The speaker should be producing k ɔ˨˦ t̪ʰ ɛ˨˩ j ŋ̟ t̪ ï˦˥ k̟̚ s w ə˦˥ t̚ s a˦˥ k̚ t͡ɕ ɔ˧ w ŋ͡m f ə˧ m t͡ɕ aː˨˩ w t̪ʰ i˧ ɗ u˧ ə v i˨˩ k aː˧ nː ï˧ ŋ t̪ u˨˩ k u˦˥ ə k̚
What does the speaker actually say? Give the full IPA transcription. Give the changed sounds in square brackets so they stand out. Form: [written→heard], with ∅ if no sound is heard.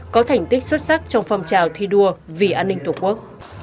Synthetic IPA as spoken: k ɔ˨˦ t̪ʰ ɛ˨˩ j ŋ̟ t̪ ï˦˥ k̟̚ s w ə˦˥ t̚ s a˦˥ k̚ t͡ɕ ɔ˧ w ŋ͡m f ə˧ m t͡ɕ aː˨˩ w t̪ʰ i˧ ɗ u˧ ə v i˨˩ [k→ʔ] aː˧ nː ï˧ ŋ t̪ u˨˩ k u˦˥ ə k̚